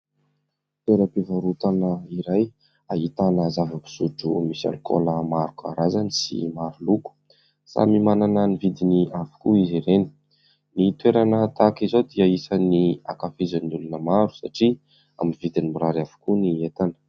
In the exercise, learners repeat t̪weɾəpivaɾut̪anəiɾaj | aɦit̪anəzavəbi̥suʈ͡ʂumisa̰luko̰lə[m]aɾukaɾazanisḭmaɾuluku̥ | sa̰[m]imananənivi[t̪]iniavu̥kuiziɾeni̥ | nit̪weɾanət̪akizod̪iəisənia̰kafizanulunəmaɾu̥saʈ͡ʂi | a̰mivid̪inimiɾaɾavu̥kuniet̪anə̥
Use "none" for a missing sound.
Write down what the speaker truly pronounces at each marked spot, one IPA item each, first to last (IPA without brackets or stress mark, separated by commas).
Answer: m, m, d̪